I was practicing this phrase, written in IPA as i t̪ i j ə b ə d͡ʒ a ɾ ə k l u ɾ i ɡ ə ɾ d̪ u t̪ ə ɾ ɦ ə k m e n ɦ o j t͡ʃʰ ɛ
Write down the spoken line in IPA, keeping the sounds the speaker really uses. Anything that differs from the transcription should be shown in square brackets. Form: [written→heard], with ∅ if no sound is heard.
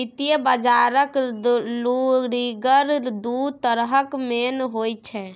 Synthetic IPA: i t̪ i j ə b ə d͡ʒ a ɾ ə k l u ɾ i ɡ ə ɾ d̪ u t̪ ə ɾ ɦ ə k m e n ɦ o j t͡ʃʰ ɛ